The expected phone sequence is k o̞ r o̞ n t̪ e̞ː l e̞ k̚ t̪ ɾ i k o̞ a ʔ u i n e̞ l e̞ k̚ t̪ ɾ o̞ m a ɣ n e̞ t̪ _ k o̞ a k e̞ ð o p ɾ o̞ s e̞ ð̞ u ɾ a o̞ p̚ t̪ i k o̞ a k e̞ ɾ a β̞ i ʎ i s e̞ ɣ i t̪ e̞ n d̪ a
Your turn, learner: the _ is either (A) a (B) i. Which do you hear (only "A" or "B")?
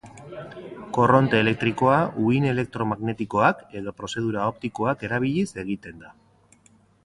B